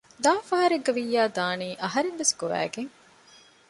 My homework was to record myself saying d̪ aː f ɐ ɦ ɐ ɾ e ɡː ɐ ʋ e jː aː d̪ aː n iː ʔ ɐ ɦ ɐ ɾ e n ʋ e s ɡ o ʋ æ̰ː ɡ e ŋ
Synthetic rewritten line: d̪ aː f ɐ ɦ ɐ ɾ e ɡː ɐ ʋ i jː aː d̪ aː n iː ʔ ɐ ɦ ɐ ɾ e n ʋ e s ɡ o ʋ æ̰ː ɡ e ŋ